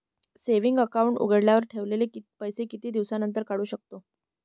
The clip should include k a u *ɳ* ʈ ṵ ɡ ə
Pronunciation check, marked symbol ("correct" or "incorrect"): correct